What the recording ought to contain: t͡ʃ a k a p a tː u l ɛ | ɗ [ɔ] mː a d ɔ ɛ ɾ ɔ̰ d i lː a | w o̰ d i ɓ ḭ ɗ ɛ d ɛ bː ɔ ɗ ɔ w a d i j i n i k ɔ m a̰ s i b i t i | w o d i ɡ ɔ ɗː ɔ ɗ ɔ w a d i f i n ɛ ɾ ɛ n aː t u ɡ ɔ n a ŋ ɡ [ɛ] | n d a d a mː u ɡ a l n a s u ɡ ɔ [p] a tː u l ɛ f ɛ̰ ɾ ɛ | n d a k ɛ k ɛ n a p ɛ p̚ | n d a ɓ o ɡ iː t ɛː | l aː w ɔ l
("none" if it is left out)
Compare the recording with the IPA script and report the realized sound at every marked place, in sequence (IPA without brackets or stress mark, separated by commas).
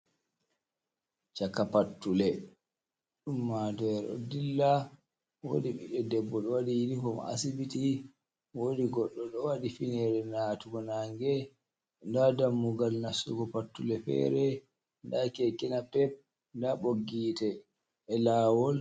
u, ɛ, p